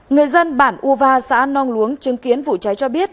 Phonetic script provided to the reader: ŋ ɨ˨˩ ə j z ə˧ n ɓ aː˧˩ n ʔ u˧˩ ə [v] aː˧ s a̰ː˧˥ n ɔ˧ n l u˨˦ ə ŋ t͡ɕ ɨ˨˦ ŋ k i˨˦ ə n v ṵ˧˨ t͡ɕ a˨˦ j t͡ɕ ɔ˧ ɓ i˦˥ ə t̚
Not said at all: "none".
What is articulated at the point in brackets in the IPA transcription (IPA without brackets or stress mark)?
v